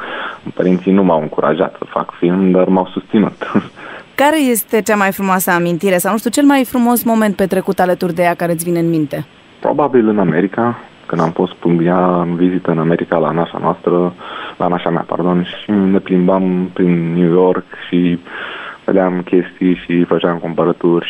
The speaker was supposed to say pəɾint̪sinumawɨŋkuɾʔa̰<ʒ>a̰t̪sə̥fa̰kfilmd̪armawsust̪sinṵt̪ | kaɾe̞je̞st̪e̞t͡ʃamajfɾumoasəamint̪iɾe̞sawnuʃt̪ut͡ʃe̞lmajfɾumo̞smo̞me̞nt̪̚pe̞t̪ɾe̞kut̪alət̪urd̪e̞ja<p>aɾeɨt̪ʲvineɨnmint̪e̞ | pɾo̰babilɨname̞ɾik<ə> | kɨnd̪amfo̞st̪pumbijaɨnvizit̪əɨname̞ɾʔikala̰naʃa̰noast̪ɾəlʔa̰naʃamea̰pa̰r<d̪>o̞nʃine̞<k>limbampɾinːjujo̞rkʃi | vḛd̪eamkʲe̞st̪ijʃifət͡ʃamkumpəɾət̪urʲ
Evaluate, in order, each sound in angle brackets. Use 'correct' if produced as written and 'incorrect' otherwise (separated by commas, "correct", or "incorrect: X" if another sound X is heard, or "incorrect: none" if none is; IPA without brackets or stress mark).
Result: correct, incorrect: k, incorrect: a, correct, incorrect: p